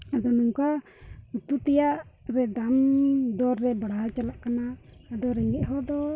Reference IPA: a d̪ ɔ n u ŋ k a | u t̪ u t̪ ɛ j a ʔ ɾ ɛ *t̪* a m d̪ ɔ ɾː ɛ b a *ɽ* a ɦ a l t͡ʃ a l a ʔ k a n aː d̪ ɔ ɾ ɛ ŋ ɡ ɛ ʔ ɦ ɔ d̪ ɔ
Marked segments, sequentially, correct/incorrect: incorrect, correct

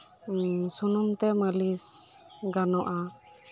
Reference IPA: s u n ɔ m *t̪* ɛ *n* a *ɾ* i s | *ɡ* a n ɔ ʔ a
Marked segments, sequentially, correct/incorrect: correct, incorrect, incorrect, correct

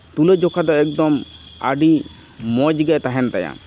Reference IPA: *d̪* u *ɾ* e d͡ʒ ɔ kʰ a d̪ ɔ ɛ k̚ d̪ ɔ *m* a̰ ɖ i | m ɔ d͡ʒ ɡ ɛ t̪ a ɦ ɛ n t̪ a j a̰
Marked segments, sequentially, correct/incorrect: incorrect, incorrect, correct

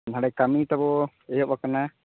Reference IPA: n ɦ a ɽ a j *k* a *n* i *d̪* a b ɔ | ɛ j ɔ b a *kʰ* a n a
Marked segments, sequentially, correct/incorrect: correct, incorrect, incorrect, incorrect

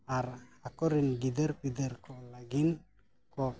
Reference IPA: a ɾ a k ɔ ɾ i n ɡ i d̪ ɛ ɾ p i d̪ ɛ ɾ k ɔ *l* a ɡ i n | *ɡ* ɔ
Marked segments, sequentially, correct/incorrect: correct, incorrect

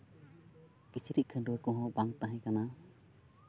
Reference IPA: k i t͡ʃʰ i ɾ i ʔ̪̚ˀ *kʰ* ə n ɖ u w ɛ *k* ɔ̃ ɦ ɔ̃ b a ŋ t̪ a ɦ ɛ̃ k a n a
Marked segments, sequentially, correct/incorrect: correct, correct

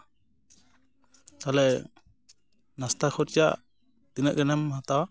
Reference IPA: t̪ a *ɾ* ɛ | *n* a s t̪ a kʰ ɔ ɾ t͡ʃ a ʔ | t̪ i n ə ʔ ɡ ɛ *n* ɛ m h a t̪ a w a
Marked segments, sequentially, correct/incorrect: incorrect, correct, correct

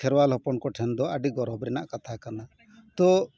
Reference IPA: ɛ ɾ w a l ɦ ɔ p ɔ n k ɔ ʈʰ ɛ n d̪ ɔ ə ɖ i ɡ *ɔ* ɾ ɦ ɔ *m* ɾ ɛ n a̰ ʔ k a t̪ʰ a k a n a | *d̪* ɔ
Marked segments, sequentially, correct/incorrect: correct, incorrect, incorrect

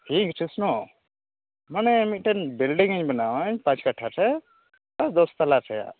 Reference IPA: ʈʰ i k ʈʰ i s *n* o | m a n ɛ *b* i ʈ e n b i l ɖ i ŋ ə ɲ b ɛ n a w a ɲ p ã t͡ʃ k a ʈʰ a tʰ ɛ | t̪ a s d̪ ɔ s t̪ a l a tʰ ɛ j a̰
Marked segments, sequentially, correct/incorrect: correct, incorrect

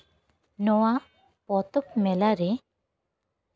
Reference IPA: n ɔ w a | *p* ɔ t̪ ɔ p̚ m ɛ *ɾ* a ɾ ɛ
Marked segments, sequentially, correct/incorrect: correct, incorrect

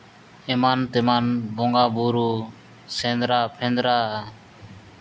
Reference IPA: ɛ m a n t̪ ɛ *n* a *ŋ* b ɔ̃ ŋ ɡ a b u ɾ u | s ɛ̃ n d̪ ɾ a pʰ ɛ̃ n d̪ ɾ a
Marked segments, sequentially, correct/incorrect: incorrect, incorrect

